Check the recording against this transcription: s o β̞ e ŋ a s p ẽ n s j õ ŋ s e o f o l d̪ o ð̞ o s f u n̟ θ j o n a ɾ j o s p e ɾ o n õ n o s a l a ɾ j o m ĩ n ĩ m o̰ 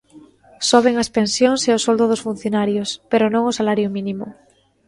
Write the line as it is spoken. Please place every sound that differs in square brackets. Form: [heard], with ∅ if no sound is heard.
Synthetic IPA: s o β̞ e ŋ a s p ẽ n s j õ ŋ s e o [s] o l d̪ o ð̞ o s f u n̟ θ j o n a ɾ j o s p e ɾ o n õ [ŋ] o s a l a ɾ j o m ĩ n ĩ m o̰